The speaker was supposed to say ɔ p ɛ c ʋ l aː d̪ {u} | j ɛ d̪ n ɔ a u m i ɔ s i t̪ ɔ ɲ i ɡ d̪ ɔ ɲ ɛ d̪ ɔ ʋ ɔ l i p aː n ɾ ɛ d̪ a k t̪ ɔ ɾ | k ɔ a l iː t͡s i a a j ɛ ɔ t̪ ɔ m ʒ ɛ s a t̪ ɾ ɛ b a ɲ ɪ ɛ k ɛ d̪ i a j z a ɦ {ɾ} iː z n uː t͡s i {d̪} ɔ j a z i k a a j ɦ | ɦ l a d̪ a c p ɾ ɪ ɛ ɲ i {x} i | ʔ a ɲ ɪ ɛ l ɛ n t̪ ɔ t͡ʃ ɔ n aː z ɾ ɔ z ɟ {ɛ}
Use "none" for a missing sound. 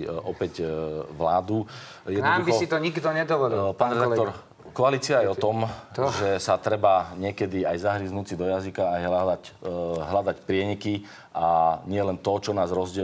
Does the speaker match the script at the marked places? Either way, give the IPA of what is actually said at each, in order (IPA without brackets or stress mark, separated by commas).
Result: u, ɾ, d̪, k, ɛ